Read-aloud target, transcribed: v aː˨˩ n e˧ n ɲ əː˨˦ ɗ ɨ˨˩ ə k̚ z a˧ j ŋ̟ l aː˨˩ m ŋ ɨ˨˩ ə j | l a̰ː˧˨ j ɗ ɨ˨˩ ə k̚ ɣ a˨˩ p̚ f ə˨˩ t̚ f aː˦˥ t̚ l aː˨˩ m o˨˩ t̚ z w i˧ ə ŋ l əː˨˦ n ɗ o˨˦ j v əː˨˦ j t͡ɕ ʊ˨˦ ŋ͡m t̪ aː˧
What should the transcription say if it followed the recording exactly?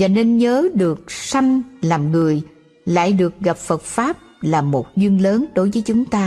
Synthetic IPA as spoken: v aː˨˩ n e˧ n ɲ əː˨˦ ɗ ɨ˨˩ ə k̚ s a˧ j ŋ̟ l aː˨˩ m ŋ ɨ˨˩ ə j | l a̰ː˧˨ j ɗ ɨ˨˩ ə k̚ ɣ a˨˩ p̚ f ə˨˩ t̚ f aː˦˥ p̚ l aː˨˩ m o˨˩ t̚ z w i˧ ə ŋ l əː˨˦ n ɗ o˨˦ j v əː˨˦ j t͡ɕ ʊ˨˦ ŋ͡m t̪ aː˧